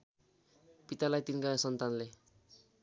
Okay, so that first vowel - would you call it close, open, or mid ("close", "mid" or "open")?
close